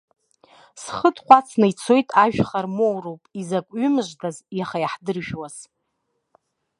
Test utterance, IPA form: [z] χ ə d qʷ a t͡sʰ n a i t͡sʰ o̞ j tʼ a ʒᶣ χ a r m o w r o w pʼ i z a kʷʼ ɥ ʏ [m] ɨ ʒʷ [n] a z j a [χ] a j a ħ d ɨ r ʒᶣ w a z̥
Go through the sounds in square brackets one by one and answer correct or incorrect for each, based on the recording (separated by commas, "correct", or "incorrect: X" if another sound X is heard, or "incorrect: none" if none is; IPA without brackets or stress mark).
incorrect: s, correct, incorrect: d, correct